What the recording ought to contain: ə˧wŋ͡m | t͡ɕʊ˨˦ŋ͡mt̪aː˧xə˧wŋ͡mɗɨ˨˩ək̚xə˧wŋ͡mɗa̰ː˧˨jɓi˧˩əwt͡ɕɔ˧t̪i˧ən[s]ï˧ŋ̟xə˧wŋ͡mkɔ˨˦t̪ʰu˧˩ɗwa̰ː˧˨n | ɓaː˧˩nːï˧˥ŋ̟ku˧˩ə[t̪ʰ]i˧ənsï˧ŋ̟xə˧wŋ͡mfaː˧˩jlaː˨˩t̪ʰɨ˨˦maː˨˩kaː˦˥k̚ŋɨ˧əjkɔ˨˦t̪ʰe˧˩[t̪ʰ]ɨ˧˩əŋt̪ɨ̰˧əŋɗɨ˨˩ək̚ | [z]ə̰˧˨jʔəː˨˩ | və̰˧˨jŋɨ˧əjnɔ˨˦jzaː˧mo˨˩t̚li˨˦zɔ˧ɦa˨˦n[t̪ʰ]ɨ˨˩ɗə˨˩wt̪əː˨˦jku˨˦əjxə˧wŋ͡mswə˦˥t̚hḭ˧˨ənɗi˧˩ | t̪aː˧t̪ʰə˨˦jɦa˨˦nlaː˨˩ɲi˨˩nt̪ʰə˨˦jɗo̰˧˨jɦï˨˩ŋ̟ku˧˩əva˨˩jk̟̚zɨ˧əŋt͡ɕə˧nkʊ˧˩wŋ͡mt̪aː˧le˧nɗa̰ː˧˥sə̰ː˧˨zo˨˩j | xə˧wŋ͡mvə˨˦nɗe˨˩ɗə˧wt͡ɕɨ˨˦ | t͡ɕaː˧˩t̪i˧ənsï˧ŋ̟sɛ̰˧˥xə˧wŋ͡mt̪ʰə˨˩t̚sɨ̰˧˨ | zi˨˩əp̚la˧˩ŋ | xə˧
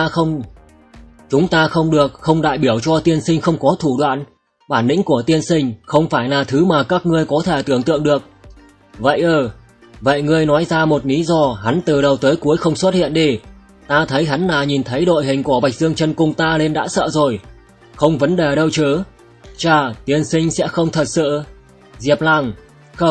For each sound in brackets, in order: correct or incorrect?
correct, incorrect: t̪, incorrect: t̪, incorrect: v, incorrect: t̪

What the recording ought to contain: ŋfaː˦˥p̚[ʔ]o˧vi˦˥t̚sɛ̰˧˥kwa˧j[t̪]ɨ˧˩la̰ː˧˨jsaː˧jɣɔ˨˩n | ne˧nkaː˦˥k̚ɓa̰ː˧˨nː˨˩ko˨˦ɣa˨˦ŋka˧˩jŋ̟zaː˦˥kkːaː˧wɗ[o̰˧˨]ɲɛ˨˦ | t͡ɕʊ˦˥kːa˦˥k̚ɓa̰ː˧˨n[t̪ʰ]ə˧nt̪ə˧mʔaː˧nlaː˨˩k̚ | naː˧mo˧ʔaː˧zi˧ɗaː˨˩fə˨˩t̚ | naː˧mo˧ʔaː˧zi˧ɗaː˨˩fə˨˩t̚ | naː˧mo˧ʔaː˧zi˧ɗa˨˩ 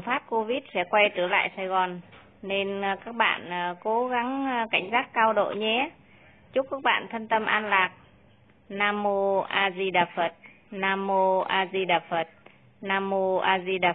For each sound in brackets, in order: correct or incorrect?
incorrect: k, correct, correct, correct

